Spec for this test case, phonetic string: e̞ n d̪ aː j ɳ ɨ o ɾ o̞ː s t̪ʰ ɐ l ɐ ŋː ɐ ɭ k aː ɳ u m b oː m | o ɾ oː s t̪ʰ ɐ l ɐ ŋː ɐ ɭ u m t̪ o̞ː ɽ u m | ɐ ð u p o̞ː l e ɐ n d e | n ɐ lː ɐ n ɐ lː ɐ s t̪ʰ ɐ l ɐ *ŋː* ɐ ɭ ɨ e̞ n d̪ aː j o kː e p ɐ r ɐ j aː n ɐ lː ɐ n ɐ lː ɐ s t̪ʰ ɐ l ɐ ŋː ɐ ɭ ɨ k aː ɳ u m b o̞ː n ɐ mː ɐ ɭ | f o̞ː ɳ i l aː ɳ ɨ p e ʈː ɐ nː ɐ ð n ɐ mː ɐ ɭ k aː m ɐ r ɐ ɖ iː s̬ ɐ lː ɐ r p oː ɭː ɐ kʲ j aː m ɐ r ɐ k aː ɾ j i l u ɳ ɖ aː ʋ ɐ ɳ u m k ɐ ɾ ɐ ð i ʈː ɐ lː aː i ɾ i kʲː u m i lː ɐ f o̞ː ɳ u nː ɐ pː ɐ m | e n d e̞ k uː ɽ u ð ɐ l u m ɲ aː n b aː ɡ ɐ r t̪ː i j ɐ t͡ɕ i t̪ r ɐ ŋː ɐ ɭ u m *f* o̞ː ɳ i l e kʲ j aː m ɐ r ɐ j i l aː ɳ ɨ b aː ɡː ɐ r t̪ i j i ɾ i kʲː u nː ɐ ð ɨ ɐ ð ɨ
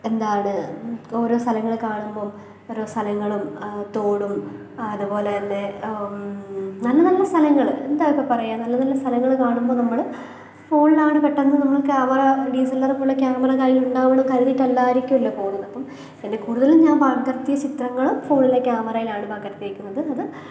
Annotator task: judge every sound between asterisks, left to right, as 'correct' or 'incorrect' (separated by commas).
correct, correct